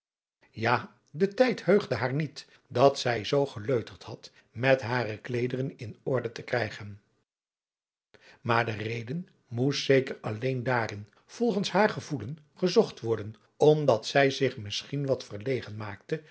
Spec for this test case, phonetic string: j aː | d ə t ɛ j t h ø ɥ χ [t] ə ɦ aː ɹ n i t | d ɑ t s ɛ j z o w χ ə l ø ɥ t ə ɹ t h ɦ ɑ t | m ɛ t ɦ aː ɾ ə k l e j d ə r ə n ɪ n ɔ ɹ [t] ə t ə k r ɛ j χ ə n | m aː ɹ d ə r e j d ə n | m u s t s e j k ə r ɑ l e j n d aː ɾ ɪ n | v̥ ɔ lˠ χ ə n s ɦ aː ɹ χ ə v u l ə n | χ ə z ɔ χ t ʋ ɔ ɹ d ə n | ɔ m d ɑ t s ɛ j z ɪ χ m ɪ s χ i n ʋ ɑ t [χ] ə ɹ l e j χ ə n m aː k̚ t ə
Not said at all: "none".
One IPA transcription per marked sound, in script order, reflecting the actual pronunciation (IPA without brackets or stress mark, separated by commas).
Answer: d, d, f